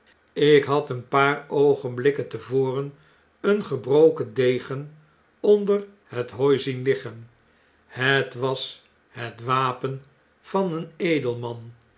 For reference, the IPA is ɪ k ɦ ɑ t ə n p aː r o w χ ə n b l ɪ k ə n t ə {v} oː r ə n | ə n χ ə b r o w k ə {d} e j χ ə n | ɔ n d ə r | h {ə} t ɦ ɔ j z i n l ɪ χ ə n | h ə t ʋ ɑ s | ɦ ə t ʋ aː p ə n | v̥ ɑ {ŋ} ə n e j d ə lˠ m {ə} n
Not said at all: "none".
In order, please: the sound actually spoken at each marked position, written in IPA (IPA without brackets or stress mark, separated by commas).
v, d, ə, n, ɑ